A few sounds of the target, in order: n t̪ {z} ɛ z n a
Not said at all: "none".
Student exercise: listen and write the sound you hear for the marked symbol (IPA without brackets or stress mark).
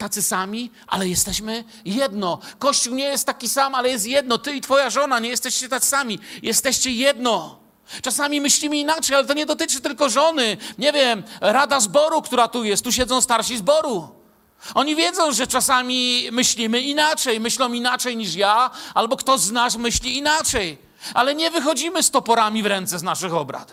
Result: s